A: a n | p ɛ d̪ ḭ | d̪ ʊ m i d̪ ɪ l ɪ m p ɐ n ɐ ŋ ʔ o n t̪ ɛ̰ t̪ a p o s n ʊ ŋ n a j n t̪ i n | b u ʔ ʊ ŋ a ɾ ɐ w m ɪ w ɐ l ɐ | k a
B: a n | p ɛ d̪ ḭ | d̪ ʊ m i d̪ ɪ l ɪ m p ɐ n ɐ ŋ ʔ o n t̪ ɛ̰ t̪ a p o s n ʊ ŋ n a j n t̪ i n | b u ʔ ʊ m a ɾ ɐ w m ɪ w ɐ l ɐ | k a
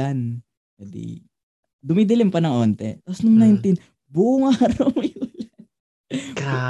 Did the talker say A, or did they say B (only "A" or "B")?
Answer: A